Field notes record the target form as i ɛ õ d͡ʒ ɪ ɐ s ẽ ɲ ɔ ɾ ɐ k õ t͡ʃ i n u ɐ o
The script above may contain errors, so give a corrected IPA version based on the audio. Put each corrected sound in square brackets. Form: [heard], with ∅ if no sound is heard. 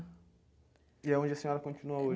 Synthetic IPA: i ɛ õ d͡ʒ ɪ ɐ s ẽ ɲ ɔ ɾ ɐ k õ t͡ʃ i n u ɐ o